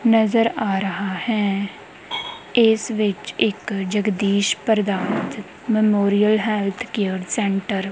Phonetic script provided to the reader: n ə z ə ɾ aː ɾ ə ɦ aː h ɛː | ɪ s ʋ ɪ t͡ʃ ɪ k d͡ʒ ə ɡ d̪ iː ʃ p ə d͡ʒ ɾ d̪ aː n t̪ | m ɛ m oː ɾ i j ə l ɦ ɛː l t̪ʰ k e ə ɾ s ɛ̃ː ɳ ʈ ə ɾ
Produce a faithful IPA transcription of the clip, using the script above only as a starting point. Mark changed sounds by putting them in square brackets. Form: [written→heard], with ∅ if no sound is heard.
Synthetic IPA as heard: n ə z ə ɾ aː ɾ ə ɦ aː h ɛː | ɪ s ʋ ɪ t͡ʃ ɪ k d͡ʒ ə ɡ d̪ iː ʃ p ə [d͡ʒ→∅] ɾ d̪ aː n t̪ | m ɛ m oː ɾ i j ə l ɦ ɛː l t̪ʰ k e ə ɾ s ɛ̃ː ɳ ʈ ə ɾ